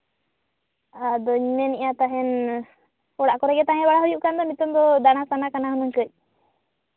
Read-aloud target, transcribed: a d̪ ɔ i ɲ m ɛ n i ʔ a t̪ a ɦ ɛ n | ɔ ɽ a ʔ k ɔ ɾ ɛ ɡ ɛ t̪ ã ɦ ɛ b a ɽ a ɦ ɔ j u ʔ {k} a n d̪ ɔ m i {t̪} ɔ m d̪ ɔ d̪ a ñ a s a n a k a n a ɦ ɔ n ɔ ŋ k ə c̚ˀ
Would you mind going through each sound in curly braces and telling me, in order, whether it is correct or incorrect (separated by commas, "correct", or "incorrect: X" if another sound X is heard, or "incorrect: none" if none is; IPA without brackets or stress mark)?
correct, correct